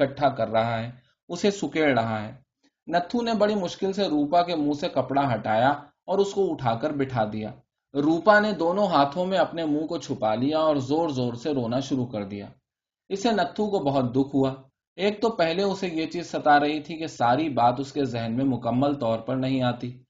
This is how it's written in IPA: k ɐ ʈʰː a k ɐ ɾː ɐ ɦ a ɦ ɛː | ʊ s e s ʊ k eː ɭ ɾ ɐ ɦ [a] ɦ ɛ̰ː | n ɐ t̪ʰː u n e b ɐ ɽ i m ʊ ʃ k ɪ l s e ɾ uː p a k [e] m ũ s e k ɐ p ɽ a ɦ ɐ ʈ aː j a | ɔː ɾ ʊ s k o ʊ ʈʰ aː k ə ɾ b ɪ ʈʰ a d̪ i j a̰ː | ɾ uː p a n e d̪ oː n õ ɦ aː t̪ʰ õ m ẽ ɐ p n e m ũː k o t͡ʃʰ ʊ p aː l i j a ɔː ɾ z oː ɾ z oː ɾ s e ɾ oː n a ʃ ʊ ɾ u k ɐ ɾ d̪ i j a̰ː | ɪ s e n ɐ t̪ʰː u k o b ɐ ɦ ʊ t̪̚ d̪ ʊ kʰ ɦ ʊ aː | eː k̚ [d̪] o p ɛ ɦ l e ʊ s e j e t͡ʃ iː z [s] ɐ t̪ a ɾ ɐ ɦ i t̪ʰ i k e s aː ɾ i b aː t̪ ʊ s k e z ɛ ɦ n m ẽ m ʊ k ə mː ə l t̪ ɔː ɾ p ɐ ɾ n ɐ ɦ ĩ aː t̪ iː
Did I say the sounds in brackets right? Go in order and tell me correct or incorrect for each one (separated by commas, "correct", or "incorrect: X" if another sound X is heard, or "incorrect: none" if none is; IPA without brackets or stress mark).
correct, correct, incorrect: t̪, correct